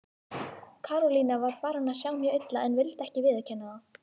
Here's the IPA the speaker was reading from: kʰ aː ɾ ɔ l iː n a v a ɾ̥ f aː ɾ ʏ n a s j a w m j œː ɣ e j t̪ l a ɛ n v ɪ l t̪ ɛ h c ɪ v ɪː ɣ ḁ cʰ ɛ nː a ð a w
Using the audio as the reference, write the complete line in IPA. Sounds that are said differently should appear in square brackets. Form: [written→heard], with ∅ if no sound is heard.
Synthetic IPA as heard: kʰ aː ɾ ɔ l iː n a v a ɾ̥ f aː ɾ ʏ n a s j a w m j œː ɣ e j t̪ l a ɛ n v ɪ l t̪ ɛ h c ɪ v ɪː [ɣ→ð] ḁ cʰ ɛ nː a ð a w